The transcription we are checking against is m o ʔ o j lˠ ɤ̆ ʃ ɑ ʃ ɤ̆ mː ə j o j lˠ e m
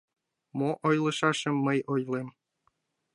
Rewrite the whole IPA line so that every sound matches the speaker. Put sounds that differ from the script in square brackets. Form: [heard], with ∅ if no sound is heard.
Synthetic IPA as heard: m o ʔ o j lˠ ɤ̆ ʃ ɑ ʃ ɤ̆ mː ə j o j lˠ e m